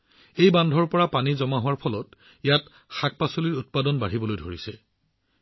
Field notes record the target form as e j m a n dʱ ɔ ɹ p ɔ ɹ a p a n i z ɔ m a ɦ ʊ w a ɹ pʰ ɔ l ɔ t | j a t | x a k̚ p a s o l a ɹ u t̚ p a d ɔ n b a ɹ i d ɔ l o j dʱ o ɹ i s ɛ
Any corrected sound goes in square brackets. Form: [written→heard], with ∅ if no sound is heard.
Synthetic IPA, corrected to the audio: e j [m→b] a n dʱ ɔ ɹ p ɔ ɹ a p a n i z ɔ m a ɦ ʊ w a ɹ pʰ ɔ l ɔ t | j a t | x a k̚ p a s o l [a→i] ɹ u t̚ p a d ɔ n b a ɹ i [d→b] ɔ l o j dʱ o ɹ i s ɛ